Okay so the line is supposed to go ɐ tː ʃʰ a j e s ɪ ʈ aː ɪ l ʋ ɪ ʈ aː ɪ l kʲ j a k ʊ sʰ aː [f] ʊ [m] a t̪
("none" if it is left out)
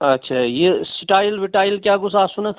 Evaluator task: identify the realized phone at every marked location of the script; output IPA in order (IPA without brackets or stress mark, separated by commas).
s, n